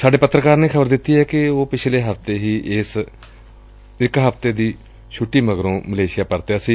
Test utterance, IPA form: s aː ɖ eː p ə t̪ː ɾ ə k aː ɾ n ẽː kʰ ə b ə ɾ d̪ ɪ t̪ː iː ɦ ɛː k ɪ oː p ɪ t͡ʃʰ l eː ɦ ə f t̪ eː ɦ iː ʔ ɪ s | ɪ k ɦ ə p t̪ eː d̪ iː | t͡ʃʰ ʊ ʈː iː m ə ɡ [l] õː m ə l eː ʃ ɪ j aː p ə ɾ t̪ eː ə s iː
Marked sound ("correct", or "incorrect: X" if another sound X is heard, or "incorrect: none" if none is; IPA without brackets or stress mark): incorrect: ɾ